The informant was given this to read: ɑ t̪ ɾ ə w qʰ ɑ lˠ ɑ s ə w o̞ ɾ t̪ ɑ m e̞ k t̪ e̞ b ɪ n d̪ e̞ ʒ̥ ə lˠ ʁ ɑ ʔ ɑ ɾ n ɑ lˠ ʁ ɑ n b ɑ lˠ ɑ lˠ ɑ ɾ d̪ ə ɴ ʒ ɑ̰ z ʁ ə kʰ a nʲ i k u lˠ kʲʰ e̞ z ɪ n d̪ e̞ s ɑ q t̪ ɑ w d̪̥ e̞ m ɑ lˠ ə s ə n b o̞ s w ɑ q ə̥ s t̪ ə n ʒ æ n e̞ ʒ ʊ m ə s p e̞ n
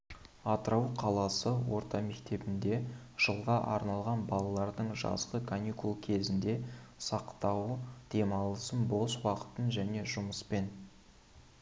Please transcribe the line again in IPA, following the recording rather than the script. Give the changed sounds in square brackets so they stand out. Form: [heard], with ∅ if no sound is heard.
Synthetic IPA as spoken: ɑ t̪ ɾ [ɑ] w qʰ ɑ lˠ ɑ s ə w o̞ ɾ t̪ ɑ m e̞ k t̪ e̞ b ɪ n d̪ e̞ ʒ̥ ə lˠ ʁ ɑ ʔ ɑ ɾ n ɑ lˠ ʁ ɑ n b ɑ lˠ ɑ lˠ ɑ ɾ d̪ ə ɴ ʒ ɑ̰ z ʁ ə kʰ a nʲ i k u lˠ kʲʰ e̞ z ɪ n d̪ e̞ s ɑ q t̪ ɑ w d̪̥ e̞ m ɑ lˠ ə s ə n b o̞ s w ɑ q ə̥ [∅] t̪ ə n ʒ æ n e̞ ʒ ʊ m ə s p e̞ n